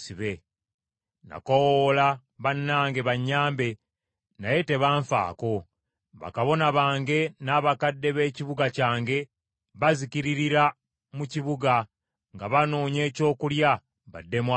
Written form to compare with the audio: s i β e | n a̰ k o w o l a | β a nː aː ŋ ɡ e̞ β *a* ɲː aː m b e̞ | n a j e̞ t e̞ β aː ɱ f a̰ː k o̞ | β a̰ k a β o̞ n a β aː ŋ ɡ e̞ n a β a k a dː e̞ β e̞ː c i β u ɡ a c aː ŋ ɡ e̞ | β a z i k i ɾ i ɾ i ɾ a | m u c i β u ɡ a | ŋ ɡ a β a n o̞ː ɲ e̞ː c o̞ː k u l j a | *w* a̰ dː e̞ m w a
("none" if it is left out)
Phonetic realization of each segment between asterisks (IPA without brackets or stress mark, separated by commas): a, β